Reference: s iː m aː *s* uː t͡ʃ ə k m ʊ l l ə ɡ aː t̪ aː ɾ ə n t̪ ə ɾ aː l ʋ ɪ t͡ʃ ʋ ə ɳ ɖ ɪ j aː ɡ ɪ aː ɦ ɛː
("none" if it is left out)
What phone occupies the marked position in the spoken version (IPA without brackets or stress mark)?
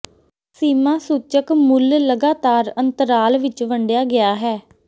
s